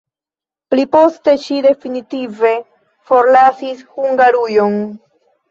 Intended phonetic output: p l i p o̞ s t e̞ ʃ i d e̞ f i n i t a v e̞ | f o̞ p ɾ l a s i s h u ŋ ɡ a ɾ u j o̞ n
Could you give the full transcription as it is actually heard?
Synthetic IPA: p l i p o̞ s t e̞ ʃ i d e̞ f i n i t i v e̞ | f o̞ ɾ l a s i s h u ŋ ɡ a ɾ u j o̞ n